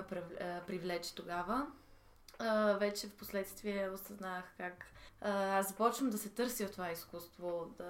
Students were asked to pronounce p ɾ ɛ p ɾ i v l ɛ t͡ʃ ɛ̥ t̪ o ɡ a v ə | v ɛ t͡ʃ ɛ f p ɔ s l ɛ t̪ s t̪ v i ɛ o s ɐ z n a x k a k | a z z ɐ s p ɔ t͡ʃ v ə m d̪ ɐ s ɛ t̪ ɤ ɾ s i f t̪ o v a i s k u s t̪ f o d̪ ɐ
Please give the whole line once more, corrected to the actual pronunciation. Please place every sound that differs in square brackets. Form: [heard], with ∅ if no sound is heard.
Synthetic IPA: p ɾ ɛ p ɾ i v l ɛ t͡ʃ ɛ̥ t̪ o ɡ a v ə | v ɛ t͡ʃ ɛ f p [o] s l ɛ t̪ s t̪ v i ɛ o s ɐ z n a x k a k | a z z ɐ [∅] p ɔ t͡ʃ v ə m d̪ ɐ s ɛ t̪ ɤ ɾ s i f t̪ o v a i s k u s t̪ [v] o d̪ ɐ